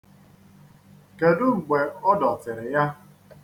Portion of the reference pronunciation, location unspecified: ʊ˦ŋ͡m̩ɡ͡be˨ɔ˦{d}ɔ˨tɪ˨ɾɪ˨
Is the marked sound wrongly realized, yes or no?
no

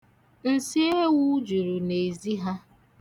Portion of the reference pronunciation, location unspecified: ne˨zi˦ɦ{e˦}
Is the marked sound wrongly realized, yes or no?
yes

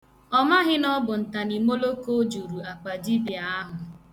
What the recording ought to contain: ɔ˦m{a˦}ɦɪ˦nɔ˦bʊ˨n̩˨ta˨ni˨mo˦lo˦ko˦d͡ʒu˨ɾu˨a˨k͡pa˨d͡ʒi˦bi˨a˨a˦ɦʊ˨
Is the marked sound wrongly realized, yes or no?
no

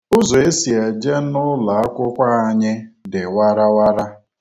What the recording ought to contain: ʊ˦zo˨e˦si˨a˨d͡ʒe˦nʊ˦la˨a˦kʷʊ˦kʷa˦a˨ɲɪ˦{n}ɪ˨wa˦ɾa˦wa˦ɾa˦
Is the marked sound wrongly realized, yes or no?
yes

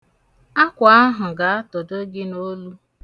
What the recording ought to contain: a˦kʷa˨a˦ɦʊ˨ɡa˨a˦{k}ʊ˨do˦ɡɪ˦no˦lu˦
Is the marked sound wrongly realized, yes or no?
yes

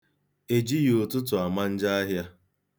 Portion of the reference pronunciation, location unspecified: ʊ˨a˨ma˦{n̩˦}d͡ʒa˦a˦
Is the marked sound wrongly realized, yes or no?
no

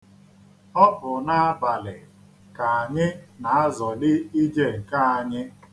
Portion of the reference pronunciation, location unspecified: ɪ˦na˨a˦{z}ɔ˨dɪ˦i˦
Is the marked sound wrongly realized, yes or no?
no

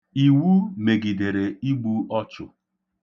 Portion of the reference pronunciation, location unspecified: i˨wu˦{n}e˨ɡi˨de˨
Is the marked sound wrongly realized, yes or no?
yes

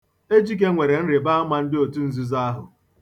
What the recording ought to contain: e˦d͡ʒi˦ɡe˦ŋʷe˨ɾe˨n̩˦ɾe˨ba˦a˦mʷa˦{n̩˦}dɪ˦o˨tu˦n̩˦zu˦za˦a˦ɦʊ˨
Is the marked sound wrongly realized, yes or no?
no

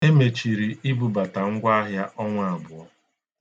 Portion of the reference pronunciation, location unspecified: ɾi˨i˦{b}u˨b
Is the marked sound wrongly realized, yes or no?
no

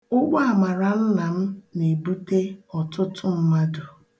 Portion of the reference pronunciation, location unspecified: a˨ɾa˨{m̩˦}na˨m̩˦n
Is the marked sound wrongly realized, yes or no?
yes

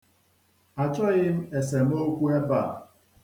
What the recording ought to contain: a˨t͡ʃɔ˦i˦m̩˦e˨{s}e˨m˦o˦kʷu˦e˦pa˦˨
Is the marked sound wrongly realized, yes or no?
no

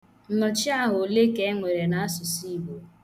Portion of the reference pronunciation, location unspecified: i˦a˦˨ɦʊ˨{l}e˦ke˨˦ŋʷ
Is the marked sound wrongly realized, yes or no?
no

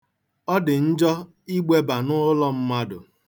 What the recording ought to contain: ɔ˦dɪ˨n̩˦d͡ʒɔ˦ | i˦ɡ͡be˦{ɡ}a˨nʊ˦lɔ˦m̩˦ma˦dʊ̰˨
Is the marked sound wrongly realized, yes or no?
yes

